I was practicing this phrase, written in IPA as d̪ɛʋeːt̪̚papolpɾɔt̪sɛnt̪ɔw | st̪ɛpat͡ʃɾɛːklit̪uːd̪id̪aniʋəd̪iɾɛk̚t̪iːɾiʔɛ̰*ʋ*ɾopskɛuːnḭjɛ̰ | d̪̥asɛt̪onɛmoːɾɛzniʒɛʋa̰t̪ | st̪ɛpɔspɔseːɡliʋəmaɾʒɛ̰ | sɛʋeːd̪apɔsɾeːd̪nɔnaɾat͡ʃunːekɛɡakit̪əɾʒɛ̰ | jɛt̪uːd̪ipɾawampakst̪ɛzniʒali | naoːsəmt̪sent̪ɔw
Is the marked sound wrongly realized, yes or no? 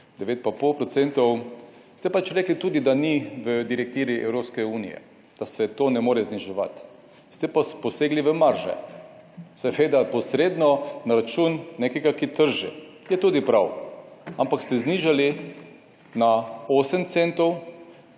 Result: yes